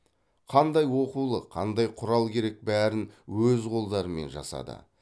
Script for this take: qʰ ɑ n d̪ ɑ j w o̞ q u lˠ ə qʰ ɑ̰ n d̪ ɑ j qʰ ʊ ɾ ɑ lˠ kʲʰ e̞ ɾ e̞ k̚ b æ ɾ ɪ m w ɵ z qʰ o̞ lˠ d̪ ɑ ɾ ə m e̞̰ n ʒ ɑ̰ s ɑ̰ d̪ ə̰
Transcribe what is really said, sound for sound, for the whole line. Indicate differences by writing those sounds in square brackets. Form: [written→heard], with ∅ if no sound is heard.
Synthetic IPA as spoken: qʰ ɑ n d̪ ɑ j w o̞ q u lˠ ə qʰ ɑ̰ n d̪ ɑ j qʰ ʊ ɾ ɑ lˠ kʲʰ e̞ ɾ e̞ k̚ b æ ɾ ɪ [m→n] w ɵ z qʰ o̞ lˠ d̪ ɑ ɾ ə m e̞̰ n ʒ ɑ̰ s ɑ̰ d̪ ə̰